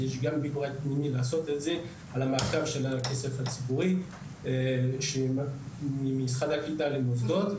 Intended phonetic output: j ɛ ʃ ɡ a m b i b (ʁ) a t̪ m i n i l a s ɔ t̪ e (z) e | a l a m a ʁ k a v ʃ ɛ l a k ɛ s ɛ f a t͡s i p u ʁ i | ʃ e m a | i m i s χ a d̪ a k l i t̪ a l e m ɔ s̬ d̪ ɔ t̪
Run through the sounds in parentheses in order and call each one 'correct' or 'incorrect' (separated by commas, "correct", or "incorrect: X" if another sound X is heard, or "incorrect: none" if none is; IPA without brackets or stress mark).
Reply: correct, correct